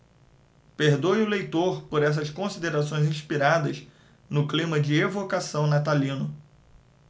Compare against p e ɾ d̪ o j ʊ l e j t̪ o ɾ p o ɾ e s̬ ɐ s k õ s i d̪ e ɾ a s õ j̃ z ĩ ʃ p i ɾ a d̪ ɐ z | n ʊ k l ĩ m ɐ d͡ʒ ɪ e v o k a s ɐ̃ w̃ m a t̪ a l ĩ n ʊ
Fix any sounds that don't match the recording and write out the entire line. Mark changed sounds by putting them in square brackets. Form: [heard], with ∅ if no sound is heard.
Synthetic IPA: p e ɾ d̪ o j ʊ l e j t̪ o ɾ p o ɾ [ɛ] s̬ ɐ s k õ s i d̪ e ɾ a s õ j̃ z ĩ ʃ p i ɾ a d̪ ɐ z | n ʊ k l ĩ m ɐ d͡ʒ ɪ e v o k a s ɐ̃ w̃ [n] a t̪ a l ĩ n ʊ